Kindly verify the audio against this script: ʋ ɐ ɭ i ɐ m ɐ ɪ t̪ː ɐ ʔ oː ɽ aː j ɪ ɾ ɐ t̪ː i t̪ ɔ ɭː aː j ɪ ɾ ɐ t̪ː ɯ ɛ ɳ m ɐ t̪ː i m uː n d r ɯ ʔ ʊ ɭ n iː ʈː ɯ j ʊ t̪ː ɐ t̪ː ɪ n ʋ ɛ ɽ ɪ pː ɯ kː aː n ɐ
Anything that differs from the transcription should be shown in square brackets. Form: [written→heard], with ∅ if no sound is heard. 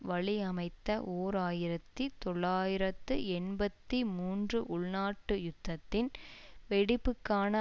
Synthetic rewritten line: ʋ ɐ ɭ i ɐ m ɐ ɪ t̪ː ɐ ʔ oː [ɽ→ɾ] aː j ɪ ɾ ɐ t̪ː i t̪ ɔ ɭː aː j ɪ ɾ ɐ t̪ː ɯ ɛ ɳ [m→b] ɐ t̪ː i m uː n d r ɯ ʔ ʊ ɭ n [iː→aː] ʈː ɯ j ʊ t̪ː ɐ t̪ː ɪ n ʋ ɛ ɽ ɪ pː ɯ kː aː n ɐ